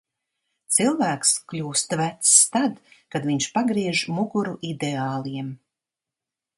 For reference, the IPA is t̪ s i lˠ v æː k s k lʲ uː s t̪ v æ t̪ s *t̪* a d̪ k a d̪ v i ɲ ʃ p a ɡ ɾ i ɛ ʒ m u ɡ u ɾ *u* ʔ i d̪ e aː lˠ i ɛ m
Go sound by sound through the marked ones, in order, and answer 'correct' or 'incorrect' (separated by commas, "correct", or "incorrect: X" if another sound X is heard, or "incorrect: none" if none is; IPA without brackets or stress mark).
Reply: correct, correct